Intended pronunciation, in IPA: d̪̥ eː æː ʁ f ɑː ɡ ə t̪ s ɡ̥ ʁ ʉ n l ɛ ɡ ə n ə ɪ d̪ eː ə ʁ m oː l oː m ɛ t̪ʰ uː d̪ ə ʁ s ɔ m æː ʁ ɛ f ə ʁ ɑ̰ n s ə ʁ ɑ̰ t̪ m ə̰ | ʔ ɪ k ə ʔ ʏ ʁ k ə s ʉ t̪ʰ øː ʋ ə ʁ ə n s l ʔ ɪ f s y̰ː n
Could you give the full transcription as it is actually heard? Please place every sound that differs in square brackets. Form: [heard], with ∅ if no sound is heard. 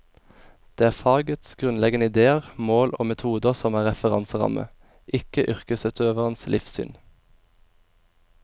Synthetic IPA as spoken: d̪̥ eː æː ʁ f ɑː ɡ ə t̪ s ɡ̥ ʁ ʉ n l ɛ ɡ ə n ə ɪ d̪ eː ə ʁ m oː l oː m ɛ t̪ʰ uː d̪ ə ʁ s ɔ m æː ʁ ɛ f ə ʁ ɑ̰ n s ə ʁ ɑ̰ [∅] m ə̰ | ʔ ɪ k ə ʔ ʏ ʁ k ə s ʉ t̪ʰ øː ʋ ə ʁ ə n s l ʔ ɪ f s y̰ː n